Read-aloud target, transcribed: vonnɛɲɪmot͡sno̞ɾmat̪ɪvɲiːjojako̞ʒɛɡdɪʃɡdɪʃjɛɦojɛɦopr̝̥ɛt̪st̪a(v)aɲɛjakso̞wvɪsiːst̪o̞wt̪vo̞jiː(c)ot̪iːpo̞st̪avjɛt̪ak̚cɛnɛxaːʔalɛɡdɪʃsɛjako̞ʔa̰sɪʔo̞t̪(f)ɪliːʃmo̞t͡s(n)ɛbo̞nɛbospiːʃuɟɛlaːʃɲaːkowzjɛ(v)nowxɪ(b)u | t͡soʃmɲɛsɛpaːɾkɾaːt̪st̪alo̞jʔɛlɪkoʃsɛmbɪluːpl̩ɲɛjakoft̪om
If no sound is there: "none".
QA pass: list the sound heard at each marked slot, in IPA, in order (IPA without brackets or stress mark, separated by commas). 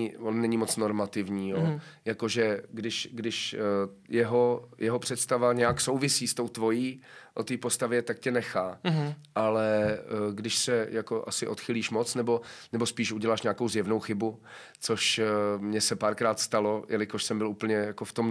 v, ʔ, x, n, v, b